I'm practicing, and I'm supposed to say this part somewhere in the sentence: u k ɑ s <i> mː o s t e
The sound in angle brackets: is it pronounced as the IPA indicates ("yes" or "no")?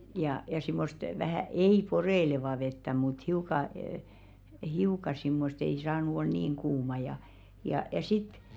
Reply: yes